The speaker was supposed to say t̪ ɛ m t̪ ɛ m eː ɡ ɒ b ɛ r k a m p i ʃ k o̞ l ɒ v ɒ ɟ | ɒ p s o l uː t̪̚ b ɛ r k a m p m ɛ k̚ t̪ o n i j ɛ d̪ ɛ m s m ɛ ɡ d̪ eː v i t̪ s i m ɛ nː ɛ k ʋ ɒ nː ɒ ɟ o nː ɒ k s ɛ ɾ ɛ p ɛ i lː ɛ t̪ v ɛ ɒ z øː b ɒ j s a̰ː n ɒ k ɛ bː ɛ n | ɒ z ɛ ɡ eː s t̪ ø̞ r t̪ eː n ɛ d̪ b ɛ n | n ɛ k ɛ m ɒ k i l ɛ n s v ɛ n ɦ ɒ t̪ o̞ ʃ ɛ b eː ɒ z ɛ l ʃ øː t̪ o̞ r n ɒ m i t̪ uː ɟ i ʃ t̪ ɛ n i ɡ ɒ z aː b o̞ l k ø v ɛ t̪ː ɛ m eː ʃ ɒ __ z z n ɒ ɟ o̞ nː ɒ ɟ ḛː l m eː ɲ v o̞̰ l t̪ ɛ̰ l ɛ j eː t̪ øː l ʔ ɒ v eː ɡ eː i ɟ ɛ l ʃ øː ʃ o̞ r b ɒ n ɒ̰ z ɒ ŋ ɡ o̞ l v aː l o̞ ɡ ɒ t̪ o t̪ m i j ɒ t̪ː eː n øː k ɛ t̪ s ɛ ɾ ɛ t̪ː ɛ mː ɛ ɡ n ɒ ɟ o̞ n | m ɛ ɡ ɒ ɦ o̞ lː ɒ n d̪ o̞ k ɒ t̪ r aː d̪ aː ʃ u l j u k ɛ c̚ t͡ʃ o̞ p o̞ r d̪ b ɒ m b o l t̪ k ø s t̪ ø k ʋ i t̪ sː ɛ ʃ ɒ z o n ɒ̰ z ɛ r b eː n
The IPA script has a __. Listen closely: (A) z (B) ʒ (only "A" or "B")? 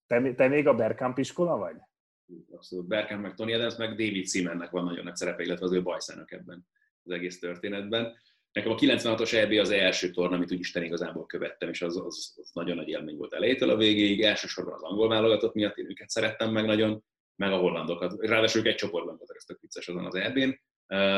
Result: A